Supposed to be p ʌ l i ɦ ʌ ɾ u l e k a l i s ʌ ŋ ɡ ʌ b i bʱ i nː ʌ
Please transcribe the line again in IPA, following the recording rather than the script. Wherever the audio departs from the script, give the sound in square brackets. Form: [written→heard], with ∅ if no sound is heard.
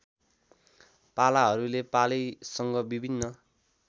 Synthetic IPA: p [ʌ→a] l [i→a] ɦ ʌ ɾ u l e [k→p] a l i s ʌ ŋ ɡ ʌ b i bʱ i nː ʌ